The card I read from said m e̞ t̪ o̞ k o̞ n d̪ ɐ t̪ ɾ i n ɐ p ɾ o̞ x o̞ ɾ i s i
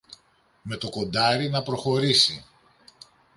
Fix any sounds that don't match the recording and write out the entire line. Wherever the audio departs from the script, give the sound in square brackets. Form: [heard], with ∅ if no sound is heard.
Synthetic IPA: m e̞ t̪ o̞ k o̞ n d̪ ɐ [∅] ɾ i n ɐ p ɾ o̞ x o̞ ɾ i s i